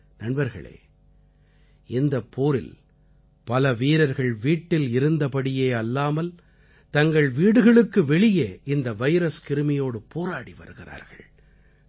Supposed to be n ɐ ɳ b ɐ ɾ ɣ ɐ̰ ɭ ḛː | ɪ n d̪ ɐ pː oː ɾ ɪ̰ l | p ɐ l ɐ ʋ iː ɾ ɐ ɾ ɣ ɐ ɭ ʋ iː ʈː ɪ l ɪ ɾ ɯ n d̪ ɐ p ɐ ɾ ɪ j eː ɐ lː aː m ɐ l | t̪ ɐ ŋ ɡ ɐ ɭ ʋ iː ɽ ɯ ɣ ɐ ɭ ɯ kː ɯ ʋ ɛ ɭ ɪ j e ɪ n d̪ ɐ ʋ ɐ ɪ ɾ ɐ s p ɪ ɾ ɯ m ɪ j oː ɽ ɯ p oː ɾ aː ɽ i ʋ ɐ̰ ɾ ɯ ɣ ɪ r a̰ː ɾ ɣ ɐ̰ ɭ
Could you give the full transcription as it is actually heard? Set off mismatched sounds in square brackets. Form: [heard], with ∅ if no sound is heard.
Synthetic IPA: n ɐ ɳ b ɐ ɾ ɣ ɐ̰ ɭ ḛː | ɪ n d̪ ɐ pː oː ɾ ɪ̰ l | p ɐ l ɐ ʋ iː ɾ ɐ ɾ ɣ ɐ ɭ ʋ iː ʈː ɪ l ɪ ɾ ɯ n d̪ ɐ p ɐ [ɽ] ɪ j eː ɐ lː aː m ɐ l | t̪ ɐ ŋ ɡ ɐ ɭ ʋ iː ɽ ɯ ɣ ɐ ɭ ɯ kː ɯ ʋ ɛ ɭ ɪ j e ɪ n d̪ ɐ ʋ ɐ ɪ ɾ ɐ s [k] ɪ ɾ ɯ m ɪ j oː ɽ ɯ p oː ɾ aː ɽ i ʋ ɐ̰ ɾ ɯ ɣ ɪ r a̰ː ɾ ɣ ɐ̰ ɭ

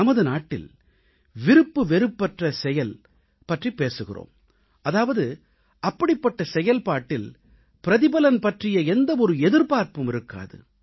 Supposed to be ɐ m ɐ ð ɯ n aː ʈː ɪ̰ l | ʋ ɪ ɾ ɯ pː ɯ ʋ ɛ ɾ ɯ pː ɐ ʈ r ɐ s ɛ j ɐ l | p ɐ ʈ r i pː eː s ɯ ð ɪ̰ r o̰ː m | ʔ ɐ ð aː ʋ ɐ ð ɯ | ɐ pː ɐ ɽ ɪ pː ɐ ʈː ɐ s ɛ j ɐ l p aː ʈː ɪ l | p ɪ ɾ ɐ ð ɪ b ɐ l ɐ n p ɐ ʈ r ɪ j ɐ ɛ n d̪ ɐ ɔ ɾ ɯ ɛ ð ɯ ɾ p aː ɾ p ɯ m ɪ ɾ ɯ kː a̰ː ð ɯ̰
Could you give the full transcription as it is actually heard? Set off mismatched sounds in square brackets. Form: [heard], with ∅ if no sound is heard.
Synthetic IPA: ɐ m ɐ ð ɯ n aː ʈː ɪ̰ l | ʋ ɪ ɾ ɯ pː ɯ ʋ ɛ ɾ ɯ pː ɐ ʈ r ɐ s ɛ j ɐ l | p ɐ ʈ r i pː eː s ɯ [ɣ] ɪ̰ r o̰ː m | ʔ ɐ ð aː ʋ ɐ ð ɯ | ɐ pː ɐ ɽ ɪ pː ɐ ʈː ɐ s ɛ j ɐ l p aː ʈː ɪ l | p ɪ ɾ ɐ ð ɪ b ɐ l ɐ n p ɐ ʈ r ɪ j ɐ ɛ n d̪ ɐ ɔ ɾ ɯ ɛ ð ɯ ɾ p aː ɾ p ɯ m ɪ ɾ ɯ kː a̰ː ð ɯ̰

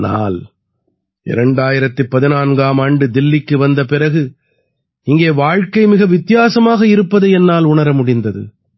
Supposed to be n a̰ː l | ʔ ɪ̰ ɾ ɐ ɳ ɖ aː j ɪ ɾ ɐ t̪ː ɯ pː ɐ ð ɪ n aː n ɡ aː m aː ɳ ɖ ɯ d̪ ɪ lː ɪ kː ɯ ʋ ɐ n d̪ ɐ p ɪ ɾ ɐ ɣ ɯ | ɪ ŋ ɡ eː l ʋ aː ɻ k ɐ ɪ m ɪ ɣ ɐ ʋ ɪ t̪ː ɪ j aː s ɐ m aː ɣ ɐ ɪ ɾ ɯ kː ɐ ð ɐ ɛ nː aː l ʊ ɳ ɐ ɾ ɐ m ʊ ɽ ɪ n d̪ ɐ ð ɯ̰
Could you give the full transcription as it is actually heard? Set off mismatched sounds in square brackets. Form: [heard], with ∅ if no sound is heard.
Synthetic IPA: n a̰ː l | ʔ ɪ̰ ɾ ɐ ɳ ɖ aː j ɪ ɾ ɐ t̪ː ɯ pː ɐ ð ɪ n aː n ɡ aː m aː ɳ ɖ ɯ d̪ ɪ lː ɪ kː ɯ ʋ ɐ n d̪ ɐ p ɪ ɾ ɐ ɣ ɯ | ɪ ŋ ɡ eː [∅] ʋ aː ɻ k ɐ ɪ m ɪ ɣ ɐ ʋ ɪ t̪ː ɪ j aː s ɐ m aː ɣ ɐ ɪ ɾ ɯ [pː] ɐ ð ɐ ɛ nː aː l ʊ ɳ ɐ ɾ ɐ m ʊ ɽ ɪ n d̪ ɐ ð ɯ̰

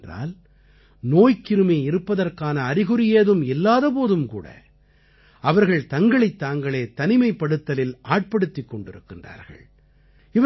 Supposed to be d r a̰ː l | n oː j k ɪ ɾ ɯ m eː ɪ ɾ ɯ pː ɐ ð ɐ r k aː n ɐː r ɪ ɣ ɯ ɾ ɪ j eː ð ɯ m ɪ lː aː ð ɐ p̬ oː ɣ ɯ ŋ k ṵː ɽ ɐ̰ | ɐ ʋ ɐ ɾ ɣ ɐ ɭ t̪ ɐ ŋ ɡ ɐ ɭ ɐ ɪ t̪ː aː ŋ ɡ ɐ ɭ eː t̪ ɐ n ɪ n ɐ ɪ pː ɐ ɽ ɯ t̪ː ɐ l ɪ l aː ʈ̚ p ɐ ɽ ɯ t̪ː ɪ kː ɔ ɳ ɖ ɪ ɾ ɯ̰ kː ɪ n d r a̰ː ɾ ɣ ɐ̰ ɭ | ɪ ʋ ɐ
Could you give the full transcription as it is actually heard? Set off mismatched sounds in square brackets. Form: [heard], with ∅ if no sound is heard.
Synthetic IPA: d r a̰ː l | n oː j k ɪ ɾ ɯ m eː ɪ ɾ ɯ pː ɐ ð ɐ r k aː n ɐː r ɪ ɣ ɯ ɾ ɪ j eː ð ɯ m ɪ lː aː ð ɐ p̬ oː [ð] ɯ [m] k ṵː ɽ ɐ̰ | ɐ ʋ ɐ ɾ ɣ ɐ ɭ t̪ ɐ ŋ ɡ ɐ ɭ ɐ ɪ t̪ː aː ŋ ɡ ɐ ɭ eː t̪ ɐ n ɪ [m] ɐ ɪ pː ɐ ɽ ɯ t̪ː ɐ l ɪ l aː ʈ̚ p ɐ ɽ ɯ t̪ː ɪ kː ɔ ɳ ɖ ɪ ɾ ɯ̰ kː ɪ n d r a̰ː ɾ ɣ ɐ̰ ɭ | ɪ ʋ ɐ

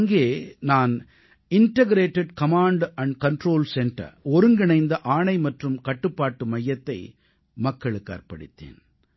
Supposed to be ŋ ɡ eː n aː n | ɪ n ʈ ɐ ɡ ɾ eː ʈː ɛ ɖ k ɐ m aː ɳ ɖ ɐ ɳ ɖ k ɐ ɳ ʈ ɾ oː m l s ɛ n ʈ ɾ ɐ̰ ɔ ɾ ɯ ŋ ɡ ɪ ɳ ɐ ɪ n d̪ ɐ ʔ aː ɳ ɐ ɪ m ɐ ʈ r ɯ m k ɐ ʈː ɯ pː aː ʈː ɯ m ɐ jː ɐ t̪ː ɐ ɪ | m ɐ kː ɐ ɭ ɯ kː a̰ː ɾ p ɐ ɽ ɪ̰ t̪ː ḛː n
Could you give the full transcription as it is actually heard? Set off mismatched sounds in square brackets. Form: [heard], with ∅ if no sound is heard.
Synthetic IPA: ŋ ɡ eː n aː n | ɪ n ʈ ɐ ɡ ɾ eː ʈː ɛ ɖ k ɐ m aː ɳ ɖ ɐ ɳ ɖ k ɐ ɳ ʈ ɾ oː [∅] l s ɛ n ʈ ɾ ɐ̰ ɔ ɾ ɯ ŋ ɡ ɪ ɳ ɐ ɪ n d̪ ɐ ʔ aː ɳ ɐ ɪ m ɐ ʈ r ɯ m k ɐ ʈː ɯ pː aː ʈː ɯ m ɐ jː ɐ t̪ː ɐ ɪ | m ɐ kː ɐ ɭ ɯ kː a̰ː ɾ p ɐ ɽ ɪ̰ t̪ː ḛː n

